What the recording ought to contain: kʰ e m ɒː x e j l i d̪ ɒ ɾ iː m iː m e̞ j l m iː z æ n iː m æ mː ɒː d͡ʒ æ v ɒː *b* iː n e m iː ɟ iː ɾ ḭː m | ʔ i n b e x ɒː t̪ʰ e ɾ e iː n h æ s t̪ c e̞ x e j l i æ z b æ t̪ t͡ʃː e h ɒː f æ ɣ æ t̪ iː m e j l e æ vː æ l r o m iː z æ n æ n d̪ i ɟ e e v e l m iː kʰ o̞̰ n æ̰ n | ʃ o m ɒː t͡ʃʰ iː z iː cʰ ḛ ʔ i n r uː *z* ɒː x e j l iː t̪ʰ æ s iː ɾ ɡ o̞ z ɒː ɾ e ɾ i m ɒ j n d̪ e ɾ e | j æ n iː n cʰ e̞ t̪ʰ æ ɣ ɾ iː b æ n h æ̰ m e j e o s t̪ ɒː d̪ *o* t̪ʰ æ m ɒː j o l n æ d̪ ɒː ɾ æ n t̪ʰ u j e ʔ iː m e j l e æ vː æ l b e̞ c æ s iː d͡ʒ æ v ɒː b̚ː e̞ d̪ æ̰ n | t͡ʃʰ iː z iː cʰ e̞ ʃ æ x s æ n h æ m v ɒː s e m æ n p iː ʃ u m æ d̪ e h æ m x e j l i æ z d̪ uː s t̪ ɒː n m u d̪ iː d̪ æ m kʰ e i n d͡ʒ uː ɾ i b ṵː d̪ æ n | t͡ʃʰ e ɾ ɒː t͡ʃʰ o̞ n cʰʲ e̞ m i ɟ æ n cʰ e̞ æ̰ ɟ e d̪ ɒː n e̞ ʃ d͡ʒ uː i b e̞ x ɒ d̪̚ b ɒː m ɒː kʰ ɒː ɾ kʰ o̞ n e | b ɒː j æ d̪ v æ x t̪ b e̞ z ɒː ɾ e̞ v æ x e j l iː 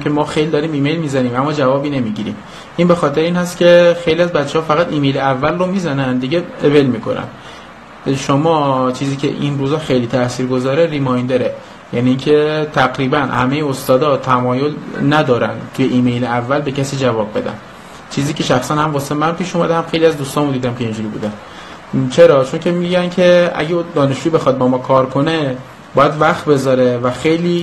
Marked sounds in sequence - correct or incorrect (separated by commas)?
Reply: correct, correct, incorrect